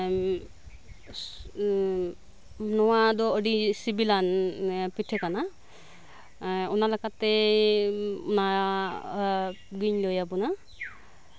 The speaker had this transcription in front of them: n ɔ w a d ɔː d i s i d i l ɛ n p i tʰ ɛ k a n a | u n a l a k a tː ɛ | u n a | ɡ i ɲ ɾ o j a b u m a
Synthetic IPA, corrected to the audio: n ɔ w a d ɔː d i s i b i l a n p i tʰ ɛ k a n a | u n a l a k a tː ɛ | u n a | ɡ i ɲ l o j a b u n a